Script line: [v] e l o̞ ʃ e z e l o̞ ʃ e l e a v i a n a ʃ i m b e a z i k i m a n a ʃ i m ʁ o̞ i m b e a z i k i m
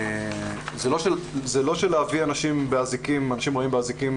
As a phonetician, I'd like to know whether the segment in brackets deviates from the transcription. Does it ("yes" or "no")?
yes